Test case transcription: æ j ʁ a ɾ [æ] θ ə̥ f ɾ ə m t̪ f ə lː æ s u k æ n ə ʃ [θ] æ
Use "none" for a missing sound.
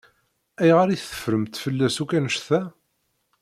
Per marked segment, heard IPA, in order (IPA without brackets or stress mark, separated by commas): i, θ